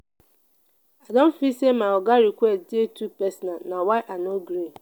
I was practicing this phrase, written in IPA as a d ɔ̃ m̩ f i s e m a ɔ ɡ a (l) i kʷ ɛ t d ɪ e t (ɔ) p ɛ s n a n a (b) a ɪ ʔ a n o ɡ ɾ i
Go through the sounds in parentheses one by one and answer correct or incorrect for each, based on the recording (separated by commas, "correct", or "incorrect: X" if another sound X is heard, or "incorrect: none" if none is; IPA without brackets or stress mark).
incorrect: ɾ, incorrect: u, incorrect: w